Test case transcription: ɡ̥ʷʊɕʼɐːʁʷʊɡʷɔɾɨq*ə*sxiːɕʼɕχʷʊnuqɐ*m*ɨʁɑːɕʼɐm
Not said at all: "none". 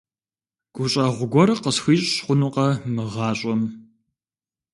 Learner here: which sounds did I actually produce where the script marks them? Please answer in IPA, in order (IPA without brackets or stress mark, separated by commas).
ə, m